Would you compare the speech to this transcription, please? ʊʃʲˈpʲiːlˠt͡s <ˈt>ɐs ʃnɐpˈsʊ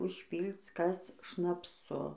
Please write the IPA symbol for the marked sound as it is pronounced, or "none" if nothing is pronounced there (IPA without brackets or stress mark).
k